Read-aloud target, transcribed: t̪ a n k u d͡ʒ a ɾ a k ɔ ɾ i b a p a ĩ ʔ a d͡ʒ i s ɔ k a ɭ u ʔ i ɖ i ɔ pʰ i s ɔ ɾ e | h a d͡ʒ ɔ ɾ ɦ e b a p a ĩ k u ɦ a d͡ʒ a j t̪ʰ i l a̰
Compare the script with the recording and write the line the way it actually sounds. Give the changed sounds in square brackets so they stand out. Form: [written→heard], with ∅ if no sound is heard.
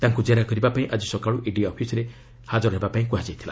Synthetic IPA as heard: t̪ a [n→ŋ] k u d͡ʒ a ɾ a k ɔ ɾ i b a p a ĩ ʔ a d͡ʒ i s ɔ k a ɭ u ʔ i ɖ i ɔ pʰ i s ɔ ɾ e | h a d͡ʒ ɔ ɾ ɦ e b a p a ĩ k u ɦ a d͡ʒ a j t̪ʰ i l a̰